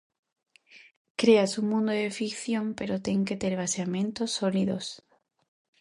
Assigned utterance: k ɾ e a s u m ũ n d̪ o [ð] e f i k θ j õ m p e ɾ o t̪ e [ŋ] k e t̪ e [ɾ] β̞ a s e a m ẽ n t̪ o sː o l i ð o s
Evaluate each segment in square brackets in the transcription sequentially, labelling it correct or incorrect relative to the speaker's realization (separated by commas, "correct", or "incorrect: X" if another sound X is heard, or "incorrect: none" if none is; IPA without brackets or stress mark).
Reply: correct, correct, correct